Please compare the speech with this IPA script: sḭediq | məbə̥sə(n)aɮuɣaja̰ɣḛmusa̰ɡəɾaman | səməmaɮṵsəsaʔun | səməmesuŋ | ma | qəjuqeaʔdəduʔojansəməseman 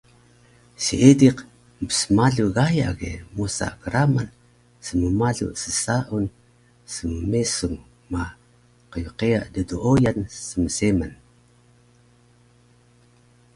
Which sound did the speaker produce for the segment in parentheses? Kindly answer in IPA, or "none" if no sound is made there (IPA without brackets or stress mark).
m